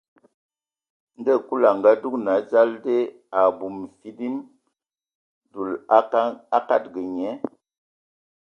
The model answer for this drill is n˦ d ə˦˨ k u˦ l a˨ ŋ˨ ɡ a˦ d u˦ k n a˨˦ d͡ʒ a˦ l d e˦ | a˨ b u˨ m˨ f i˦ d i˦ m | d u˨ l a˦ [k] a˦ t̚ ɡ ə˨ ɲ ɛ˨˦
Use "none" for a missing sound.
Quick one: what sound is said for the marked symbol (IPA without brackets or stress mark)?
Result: k